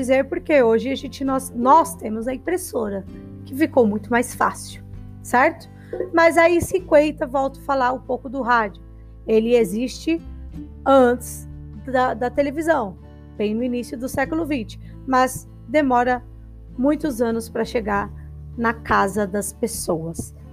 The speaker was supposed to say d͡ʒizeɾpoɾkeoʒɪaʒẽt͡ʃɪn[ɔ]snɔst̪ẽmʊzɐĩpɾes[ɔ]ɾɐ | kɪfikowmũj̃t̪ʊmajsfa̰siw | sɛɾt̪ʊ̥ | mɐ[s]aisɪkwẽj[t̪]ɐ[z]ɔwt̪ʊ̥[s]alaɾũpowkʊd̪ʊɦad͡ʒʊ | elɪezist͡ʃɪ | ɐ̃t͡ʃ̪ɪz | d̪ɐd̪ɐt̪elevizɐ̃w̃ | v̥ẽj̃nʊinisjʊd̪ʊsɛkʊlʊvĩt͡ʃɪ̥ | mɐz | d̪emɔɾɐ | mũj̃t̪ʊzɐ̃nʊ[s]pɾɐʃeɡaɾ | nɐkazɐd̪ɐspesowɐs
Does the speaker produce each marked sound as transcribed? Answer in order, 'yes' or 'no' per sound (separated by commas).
yes, no, no, yes, no, no, yes